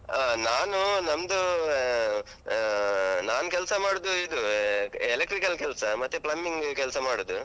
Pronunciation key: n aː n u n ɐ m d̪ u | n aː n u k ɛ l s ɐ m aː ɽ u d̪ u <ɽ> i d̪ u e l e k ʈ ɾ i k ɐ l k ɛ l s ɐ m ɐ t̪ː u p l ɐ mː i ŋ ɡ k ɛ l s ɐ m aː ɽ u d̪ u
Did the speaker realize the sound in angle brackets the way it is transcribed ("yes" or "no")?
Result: no